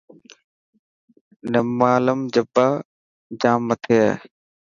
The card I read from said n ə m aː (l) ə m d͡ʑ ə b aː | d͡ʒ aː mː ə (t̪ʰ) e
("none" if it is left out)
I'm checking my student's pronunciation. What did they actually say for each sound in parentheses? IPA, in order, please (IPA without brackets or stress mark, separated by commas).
l, t̪ʰ